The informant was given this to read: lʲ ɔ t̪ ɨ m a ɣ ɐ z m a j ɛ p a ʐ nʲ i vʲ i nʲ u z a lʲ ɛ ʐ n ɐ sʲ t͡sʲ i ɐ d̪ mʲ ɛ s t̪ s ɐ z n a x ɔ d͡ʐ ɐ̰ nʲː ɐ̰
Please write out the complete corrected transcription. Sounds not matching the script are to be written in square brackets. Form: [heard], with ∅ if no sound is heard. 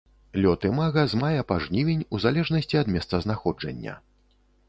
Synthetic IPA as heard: lʲ ɔ t̪ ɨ m a ɣ ɐ z m a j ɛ p a ʐ nʲ i vʲ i nʲ u z a lʲ ɛ ʐ n ɐ sʲ t͡sʲ i ɐ d̪ mʲ ɛ s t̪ s ɐ z n a x ɔ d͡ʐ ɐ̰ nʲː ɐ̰